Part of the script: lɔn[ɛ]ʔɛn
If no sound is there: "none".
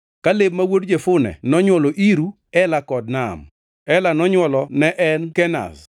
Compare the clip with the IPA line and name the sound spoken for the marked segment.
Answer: ɛ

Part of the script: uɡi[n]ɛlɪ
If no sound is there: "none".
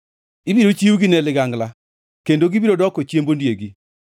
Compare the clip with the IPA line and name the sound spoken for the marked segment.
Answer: n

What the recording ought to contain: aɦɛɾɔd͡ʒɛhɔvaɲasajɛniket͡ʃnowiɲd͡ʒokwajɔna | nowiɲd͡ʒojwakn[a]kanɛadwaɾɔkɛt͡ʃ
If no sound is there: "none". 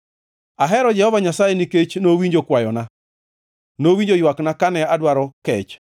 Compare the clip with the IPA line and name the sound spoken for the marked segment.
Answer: a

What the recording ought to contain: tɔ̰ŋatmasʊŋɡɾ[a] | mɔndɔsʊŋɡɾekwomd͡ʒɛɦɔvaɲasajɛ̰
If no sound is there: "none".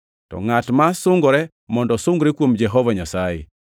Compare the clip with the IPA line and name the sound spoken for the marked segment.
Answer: ɛ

